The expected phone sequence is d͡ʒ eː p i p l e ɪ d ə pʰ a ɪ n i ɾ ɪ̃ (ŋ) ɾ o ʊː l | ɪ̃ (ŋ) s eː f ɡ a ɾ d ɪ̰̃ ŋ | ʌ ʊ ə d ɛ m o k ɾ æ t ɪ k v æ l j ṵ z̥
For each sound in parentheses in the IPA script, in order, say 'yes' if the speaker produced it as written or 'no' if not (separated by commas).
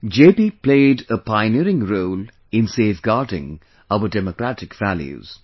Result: yes, no